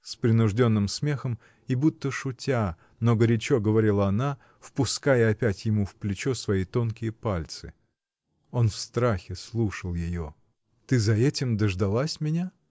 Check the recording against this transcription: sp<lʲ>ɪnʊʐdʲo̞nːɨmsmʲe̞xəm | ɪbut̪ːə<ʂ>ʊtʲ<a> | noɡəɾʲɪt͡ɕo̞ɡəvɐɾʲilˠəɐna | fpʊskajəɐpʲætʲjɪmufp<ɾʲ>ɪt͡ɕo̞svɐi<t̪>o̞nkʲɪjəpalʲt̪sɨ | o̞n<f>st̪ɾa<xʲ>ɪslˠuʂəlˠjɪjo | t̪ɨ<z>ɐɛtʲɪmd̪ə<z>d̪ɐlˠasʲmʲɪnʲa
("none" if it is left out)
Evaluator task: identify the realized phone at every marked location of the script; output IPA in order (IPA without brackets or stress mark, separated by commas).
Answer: ɾʲ, ʂ, a, lʲ, t̪, f, xʲ, z, ʐ